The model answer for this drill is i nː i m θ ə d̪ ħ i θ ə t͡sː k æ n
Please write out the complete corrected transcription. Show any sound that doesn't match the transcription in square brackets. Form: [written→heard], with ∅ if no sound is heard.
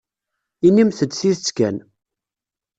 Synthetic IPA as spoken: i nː i m θ ə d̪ [ħ→θ] i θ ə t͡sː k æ n